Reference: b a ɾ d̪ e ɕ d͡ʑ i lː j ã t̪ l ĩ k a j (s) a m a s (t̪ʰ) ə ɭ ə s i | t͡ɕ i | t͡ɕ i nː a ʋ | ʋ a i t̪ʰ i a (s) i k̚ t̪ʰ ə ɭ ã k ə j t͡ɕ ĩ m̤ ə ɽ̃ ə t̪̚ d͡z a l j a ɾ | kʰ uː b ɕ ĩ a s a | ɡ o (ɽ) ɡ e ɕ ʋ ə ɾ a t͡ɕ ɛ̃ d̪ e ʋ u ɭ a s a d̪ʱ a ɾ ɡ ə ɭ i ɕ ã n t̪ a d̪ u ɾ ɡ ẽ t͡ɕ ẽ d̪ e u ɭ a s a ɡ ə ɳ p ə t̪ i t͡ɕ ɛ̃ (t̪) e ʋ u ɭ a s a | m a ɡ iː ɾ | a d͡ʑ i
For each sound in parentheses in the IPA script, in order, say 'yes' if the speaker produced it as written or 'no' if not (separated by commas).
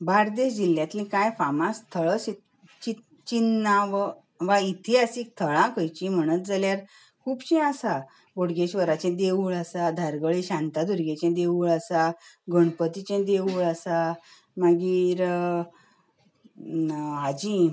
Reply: no, yes, yes, yes, no